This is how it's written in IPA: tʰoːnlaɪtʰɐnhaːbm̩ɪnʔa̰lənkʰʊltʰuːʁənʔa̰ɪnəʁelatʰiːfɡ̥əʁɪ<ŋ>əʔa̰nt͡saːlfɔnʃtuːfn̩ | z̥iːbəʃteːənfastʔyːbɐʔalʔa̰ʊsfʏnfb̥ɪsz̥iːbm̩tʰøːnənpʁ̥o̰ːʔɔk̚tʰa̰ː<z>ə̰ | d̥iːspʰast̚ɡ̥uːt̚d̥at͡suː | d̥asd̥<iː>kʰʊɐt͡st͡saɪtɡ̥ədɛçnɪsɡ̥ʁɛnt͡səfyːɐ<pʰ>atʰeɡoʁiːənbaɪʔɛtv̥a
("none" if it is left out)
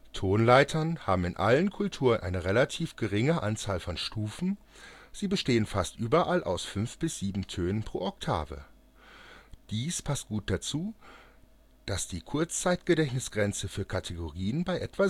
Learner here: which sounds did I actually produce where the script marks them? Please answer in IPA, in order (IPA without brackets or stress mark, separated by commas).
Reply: ŋ, v, iː, kʰ